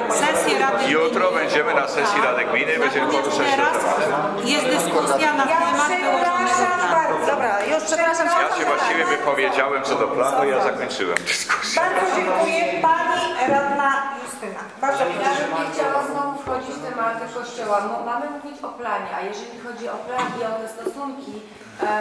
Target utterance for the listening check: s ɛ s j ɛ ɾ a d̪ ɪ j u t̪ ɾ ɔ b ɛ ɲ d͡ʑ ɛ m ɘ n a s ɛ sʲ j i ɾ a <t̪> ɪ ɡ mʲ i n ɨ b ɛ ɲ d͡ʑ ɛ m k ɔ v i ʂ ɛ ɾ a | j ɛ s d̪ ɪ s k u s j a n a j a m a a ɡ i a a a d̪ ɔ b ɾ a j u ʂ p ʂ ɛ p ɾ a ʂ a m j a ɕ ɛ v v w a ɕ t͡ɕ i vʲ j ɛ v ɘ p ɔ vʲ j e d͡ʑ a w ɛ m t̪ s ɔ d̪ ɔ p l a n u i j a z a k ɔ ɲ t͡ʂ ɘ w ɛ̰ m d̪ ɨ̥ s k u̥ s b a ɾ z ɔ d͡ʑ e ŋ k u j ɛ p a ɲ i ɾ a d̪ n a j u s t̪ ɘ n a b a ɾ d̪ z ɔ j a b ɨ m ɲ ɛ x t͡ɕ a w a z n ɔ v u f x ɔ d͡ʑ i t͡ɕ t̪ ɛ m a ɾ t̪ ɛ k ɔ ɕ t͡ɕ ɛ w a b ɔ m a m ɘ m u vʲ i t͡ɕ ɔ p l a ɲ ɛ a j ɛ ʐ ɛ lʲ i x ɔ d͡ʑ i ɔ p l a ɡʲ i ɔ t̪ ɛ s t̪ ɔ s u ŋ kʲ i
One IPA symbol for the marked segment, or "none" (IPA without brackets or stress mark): d̪